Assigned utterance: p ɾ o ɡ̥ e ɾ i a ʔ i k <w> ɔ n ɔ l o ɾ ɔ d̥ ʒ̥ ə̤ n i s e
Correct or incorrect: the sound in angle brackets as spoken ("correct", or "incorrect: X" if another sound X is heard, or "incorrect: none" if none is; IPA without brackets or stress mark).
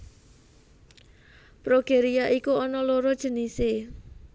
incorrect: u